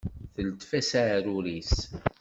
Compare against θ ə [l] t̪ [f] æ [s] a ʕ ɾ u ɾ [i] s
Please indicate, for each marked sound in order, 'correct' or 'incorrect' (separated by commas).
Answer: correct, correct, correct, correct